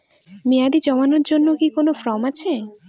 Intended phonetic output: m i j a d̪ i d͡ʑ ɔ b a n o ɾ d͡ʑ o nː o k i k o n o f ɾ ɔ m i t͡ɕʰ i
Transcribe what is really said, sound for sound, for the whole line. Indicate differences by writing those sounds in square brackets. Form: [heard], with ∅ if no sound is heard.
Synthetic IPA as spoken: m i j a d̪ i d͡ʑ ɔ [m] a n o ɾ d͡ʑ o nː o k i k o n o f ɾ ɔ m [a] t͡ɕʰ [e]